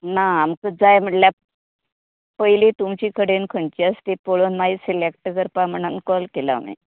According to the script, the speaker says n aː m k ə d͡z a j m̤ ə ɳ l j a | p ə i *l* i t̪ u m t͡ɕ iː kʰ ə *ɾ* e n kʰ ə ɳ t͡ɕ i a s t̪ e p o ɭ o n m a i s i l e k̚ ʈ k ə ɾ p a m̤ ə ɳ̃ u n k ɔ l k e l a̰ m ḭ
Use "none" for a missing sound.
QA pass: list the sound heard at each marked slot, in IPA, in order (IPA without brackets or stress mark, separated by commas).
l, ɽ